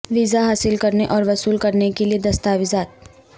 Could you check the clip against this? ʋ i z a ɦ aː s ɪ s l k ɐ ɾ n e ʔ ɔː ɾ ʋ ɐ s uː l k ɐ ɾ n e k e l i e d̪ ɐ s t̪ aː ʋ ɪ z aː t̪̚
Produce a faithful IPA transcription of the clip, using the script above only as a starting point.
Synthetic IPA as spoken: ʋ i z a ɦ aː s ɪ l k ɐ ɾ n e ʔ ɔː ɾ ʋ ɐ s uː l k ɐ ɾ n e k e l i e d̪ ɐ s t̪ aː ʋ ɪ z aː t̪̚